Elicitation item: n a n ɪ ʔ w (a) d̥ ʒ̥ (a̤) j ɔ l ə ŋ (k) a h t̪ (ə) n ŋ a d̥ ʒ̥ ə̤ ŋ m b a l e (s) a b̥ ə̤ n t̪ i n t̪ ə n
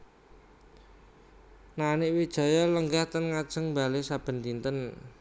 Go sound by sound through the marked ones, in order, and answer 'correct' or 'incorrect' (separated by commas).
incorrect, correct, incorrect, correct, correct